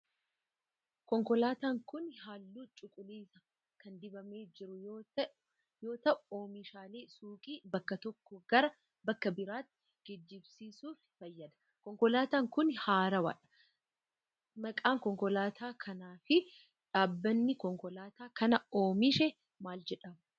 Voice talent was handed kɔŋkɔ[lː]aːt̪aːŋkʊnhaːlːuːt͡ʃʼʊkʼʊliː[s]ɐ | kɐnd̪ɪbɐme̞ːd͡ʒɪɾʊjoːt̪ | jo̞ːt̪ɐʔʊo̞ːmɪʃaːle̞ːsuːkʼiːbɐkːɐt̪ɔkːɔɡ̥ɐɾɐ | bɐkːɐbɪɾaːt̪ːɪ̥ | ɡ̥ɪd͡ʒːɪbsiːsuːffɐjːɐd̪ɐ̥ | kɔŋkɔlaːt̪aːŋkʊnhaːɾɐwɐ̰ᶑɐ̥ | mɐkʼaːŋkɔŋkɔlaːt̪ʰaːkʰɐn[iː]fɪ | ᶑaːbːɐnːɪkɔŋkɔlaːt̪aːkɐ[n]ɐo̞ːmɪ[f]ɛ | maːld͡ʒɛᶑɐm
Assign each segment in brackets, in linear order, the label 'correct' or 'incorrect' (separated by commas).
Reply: incorrect, correct, incorrect, correct, incorrect